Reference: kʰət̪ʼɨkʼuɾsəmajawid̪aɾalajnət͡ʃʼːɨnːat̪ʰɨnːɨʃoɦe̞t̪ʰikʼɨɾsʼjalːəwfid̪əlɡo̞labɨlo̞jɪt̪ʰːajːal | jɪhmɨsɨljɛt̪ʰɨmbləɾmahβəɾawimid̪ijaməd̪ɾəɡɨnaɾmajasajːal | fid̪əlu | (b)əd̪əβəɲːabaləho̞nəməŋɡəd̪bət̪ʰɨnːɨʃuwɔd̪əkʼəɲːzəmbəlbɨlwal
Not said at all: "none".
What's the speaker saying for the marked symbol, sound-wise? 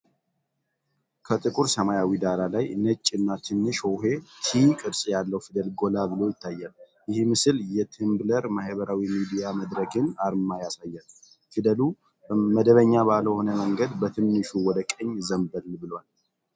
m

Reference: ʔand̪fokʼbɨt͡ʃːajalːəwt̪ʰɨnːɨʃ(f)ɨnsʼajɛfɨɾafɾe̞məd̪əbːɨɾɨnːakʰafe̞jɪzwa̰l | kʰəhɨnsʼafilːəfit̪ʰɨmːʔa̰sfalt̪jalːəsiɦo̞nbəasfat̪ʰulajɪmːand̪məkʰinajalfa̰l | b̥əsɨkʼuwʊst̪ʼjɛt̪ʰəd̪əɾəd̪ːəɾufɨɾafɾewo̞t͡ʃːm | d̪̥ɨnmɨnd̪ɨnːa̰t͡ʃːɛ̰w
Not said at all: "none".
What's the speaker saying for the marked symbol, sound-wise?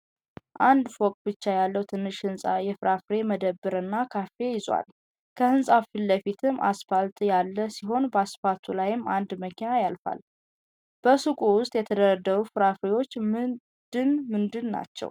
h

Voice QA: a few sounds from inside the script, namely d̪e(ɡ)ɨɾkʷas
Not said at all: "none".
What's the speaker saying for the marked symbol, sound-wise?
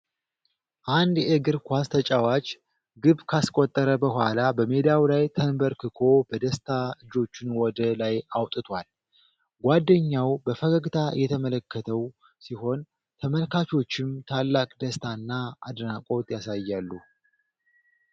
ɡ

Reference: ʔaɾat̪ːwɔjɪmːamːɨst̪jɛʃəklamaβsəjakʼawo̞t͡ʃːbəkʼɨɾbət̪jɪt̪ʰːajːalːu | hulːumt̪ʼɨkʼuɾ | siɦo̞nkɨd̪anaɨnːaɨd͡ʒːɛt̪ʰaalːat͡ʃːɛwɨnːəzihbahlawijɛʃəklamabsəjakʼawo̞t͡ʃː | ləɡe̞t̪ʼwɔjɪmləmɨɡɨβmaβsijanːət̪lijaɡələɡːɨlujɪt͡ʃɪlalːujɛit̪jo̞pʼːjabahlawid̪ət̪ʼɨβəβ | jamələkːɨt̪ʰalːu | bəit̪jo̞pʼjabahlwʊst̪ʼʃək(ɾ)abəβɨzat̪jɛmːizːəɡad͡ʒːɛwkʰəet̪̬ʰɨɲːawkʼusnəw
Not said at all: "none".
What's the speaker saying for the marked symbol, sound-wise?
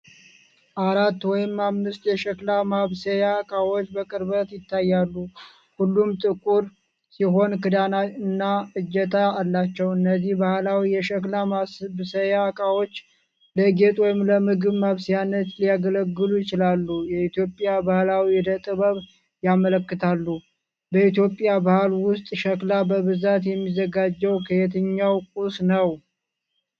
l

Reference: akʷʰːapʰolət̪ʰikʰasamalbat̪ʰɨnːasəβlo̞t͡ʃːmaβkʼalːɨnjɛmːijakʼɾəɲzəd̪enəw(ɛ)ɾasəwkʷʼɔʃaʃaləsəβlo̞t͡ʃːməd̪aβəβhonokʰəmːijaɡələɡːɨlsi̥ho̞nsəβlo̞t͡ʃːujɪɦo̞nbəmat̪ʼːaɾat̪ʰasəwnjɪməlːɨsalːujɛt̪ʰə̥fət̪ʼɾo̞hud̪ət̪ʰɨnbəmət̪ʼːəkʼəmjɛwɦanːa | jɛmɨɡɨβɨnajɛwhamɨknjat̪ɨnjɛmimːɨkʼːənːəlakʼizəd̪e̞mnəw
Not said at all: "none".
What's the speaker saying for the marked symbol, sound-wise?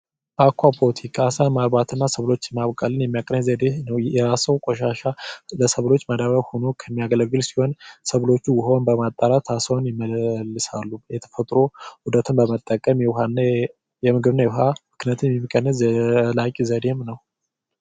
ɛ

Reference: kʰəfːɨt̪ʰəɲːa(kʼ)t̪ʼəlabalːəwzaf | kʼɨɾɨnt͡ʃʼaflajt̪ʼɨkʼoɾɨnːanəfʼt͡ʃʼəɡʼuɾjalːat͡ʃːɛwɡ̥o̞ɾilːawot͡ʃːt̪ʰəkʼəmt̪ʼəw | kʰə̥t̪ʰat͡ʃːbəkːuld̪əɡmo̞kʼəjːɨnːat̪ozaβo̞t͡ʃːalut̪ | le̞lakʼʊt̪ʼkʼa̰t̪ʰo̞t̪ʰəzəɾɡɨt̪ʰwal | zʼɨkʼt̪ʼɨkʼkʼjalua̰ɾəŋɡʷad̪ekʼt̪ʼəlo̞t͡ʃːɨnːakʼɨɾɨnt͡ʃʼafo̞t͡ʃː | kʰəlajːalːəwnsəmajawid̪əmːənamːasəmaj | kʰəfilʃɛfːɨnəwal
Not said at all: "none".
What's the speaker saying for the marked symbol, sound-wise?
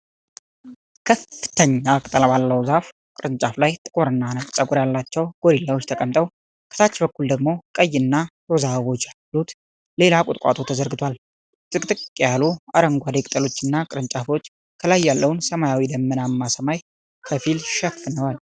kʼ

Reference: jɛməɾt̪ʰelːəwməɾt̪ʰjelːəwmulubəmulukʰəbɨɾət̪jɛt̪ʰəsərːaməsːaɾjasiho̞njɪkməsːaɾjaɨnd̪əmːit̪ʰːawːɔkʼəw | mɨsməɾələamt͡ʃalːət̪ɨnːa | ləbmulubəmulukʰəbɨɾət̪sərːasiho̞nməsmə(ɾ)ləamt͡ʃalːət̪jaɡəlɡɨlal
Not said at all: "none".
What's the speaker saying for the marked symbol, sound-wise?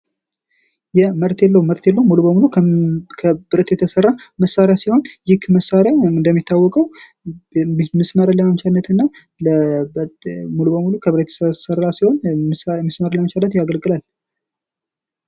ɾ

